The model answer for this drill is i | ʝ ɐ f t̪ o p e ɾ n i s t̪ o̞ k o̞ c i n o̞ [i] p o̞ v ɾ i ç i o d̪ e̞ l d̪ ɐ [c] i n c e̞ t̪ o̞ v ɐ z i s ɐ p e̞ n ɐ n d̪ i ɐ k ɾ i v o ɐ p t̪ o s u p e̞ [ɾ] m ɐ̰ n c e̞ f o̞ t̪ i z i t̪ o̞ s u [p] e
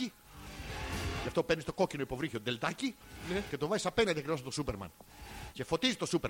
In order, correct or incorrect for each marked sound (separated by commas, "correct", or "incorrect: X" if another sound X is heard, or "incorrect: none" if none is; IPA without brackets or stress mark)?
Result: correct, correct, correct, correct